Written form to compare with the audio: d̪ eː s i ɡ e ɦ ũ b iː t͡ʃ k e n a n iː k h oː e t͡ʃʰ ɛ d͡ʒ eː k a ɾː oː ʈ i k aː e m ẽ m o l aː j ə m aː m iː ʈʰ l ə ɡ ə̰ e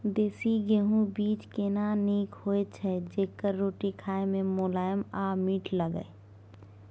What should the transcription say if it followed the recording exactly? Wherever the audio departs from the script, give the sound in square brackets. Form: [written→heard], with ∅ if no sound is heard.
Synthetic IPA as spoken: d̪ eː s i ɡ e ɦ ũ b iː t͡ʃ k e n a n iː k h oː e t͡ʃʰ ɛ d͡ʒ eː k [a→ə] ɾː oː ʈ i [k→kʰ] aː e m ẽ m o l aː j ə m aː m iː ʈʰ l ə ɡ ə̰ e